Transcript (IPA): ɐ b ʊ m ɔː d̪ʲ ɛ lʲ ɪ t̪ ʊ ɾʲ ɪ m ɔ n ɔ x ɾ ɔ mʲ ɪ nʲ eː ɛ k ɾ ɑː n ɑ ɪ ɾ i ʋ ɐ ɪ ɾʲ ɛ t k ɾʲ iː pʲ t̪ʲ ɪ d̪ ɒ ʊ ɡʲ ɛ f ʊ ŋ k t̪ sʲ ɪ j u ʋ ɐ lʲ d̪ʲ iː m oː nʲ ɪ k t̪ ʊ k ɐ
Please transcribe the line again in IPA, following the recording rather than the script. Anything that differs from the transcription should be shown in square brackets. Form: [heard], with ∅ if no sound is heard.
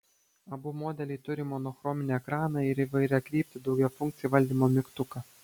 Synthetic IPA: ɐ b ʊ m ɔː d̪ʲ ɛ lʲ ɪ t̪ ʊ ɾʲ ɪ m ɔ n ɔ x ɾ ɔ mʲ ɪ nʲ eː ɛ k ɾ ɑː n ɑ ɪ ɾ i ʋ ɐ ɪ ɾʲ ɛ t k ɾʲ iː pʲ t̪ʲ ɪ d̪ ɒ ʊ ɡʲ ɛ f ʊ ŋ k t̪ sʲ ɪ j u ʋ ɐ lʲ d̪ʲ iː m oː [mʲ] ɪ k t̪ ʊ k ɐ